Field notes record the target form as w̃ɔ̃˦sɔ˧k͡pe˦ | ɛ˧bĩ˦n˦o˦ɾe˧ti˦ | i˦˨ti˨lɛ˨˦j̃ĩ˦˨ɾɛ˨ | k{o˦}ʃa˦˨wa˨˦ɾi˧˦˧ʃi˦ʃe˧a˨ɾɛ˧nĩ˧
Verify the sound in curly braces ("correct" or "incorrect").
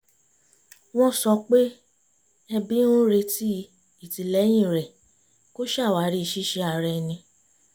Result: correct